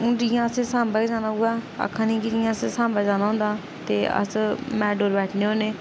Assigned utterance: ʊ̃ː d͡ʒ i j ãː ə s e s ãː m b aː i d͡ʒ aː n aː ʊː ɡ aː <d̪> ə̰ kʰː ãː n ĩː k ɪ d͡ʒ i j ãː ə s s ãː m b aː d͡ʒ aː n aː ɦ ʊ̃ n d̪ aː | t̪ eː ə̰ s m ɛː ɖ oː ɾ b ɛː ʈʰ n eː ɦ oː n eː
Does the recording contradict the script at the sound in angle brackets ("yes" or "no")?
yes